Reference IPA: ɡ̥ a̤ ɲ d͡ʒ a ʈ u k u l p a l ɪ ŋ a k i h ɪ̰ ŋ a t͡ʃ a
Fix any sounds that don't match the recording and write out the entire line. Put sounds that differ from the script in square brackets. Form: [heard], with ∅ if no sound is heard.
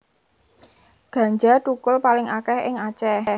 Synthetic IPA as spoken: ɡ̥ a̤ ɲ d͡ʒ a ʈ u k [ʊ] l p a l ɪ ŋ a k [ɛ] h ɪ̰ ŋ a t͡ʃ [ɛ]